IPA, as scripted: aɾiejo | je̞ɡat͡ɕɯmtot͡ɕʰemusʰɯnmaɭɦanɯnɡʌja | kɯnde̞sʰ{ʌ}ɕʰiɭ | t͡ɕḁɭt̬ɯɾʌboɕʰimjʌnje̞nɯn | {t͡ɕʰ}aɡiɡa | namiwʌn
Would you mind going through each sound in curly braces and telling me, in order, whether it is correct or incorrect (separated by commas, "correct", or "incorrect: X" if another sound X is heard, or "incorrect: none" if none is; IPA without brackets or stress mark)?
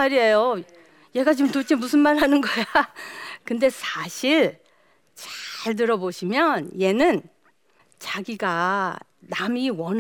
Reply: incorrect: a, incorrect: t͡ɕ